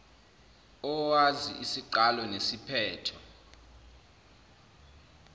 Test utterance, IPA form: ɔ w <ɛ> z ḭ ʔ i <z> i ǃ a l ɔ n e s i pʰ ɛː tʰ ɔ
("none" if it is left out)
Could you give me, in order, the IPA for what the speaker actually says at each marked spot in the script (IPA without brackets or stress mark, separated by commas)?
a, s